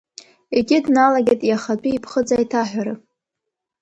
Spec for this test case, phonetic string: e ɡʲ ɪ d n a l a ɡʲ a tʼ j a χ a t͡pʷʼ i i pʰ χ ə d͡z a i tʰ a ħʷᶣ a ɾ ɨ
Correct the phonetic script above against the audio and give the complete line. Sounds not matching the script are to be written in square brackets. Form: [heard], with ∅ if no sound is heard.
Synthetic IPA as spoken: e ɡʲ ɪ d n a l a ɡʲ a tʼ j a χ a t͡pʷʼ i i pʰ χ ə d͡z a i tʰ a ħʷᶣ a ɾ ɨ